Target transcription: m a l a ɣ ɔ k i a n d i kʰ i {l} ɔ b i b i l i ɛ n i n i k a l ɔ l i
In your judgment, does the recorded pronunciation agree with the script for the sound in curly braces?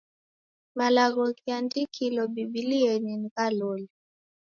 yes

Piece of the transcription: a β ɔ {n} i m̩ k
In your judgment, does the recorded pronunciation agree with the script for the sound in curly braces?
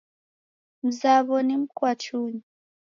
yes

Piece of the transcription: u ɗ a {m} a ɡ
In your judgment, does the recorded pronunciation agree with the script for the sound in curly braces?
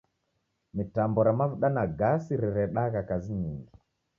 no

